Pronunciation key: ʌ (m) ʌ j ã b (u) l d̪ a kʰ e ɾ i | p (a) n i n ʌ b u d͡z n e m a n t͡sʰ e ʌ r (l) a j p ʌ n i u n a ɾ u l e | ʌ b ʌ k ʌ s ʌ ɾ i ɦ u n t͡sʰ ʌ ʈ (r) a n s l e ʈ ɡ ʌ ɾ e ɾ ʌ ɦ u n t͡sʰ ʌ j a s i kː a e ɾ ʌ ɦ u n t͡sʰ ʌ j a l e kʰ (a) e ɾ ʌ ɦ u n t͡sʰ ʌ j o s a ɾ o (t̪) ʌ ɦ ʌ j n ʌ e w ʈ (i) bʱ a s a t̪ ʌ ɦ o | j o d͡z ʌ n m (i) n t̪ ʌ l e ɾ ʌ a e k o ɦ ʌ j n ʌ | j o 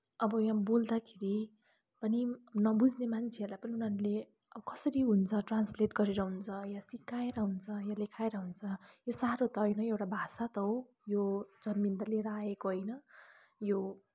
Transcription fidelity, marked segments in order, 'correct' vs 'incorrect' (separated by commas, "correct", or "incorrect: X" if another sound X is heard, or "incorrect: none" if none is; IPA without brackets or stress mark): incorrect: b, incorrect: o, incorrect: ʌ, correct, correct, correct, correct, incorrect: a, correct